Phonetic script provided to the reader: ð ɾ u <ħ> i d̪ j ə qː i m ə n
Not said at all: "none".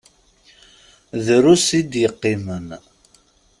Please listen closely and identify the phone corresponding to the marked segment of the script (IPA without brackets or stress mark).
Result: s